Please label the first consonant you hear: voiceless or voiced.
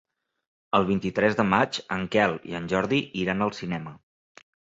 voiced